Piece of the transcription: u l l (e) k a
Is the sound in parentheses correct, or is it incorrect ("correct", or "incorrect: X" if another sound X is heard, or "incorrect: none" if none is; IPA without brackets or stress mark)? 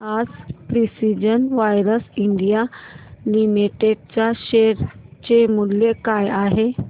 correct